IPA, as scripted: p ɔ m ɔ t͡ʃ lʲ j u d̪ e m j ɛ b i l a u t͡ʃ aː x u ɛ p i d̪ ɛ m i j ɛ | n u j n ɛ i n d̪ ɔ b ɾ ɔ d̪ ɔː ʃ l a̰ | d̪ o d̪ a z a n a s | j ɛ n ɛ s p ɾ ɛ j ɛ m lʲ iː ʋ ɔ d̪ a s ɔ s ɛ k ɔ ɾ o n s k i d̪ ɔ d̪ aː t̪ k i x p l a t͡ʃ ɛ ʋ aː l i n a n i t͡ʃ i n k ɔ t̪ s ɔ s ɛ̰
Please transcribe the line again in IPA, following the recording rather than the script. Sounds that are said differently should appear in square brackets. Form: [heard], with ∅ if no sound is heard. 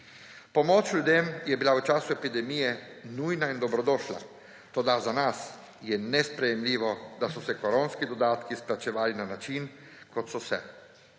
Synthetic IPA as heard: p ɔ m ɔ t͡ʃ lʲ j u d̪ e m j ɛ b i l a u t͡ʃ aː [s] u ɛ p i d̪ ɛ m i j ɛ | n u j n [a] i n d̪ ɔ b ɾ ɔ d̪ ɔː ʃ l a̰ | [t̪] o d̪ a z a n a s | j ɛ n ɛ s p ɾ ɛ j ɛ m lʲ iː ʋ ɔ d̪ a s ɔ s ɛ k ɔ ɾ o n s k i d̪ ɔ d̪ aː t̪ k i [s] p l a t͡ʃ ɛ ʋ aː l i n a n [a] t͡ʃ i n k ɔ t̪ s ɔ s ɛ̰